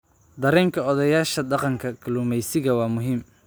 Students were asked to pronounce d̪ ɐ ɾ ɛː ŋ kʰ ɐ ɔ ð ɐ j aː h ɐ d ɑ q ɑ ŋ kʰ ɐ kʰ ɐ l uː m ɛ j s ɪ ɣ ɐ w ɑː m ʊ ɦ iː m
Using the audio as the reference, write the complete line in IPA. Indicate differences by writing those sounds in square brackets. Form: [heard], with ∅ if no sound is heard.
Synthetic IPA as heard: d̪ ɐ ɾ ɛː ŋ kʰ ɐ ɔ ð ɐ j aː [ʃ] ɐ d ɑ q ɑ ŋ kʰ ɐ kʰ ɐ l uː m ɛ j s ɪ ɣ ɐ w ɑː m ʊ ɦ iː m